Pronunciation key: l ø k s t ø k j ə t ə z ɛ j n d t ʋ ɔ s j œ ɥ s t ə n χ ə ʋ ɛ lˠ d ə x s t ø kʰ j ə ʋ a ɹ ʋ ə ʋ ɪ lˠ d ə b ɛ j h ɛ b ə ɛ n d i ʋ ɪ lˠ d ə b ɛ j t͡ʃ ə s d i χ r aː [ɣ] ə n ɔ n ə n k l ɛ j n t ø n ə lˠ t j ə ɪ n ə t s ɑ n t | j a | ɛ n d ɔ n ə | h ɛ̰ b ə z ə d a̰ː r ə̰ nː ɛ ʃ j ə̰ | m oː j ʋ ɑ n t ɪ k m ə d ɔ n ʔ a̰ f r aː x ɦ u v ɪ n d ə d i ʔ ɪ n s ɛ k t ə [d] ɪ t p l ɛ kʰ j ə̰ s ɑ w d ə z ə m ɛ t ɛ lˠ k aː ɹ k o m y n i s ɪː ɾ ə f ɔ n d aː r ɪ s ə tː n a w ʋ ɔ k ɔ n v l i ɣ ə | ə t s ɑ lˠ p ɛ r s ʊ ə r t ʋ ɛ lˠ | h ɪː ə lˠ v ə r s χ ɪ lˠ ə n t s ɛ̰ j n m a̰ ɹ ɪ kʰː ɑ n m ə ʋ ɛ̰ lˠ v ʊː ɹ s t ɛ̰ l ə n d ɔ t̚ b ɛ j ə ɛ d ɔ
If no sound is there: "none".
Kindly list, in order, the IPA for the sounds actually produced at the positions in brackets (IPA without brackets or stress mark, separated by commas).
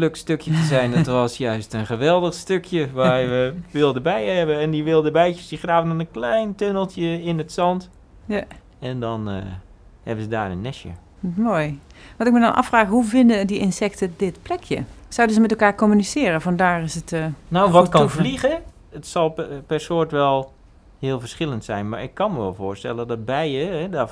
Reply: v, d